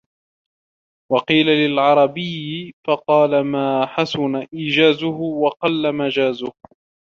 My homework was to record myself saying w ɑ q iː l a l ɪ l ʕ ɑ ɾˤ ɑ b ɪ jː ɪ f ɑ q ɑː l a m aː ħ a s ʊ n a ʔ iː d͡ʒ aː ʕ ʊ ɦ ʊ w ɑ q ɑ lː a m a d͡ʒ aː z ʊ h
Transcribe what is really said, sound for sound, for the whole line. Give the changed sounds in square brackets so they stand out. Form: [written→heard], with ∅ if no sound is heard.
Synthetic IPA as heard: w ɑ q iː l a l ɪ l ʕ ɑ ɾˤ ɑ b ɪ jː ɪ f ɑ q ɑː l a m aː ħ a s ʊ n a ʔ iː d͡ʒ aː [ʕ→z] ʊ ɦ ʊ w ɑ q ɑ lː a m a d͡ʒ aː z ʊ h